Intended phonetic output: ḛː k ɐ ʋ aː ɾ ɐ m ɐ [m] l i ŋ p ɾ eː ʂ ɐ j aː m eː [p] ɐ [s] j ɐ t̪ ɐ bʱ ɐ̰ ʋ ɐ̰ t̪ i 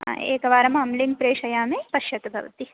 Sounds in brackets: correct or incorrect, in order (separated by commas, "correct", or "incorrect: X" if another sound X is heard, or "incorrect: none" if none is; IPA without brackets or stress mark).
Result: correct, correct, incorrect: ʃ